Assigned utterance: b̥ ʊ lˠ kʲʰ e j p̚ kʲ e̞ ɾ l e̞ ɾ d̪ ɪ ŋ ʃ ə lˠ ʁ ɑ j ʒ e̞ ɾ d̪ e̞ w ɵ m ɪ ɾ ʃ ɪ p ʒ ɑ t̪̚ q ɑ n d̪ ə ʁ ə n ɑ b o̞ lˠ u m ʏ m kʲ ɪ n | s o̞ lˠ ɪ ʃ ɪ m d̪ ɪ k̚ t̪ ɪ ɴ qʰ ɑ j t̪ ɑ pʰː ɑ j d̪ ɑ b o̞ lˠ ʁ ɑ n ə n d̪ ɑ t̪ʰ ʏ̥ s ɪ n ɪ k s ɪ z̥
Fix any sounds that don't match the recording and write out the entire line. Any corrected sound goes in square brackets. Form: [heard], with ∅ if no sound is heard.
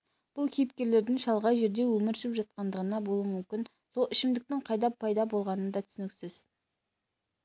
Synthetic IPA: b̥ ʊ lˠ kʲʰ e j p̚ kʲ e̞ ɾ l e̞ ɾ d̪ ɪ ŋ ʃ [ɑ] lˠ ʁ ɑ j ʒ e̞ ɾ d̪ e̞ w ɵ m ɪ ɾ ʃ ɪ p ʒ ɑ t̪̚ q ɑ n d̪ ə ʁ ə n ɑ b o̞ lˠ u m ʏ m kʲ ɪ n | s o̞ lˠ ɪ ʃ ɪ m d̪ ɪ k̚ t̪ ɪ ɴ qʰ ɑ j [d̪] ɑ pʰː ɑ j d̪ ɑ b o̞ lˠ ʁ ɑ n ə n d̪ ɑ t̪ʰ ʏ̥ s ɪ n ɪ k s ɪ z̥